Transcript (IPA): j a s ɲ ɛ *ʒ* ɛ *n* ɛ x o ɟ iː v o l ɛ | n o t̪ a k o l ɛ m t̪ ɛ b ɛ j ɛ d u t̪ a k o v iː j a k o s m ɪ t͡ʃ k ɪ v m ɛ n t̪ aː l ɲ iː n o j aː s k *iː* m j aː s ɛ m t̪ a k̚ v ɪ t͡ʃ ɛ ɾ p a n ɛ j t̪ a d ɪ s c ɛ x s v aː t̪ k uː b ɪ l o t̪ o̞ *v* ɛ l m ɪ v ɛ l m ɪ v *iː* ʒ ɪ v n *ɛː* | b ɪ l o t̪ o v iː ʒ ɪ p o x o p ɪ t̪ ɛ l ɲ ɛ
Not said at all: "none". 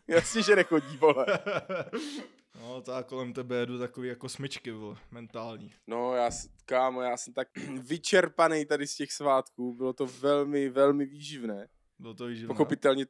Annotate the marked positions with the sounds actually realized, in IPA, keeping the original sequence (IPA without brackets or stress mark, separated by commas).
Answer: ʒ, n, aː, v, iː, ɛː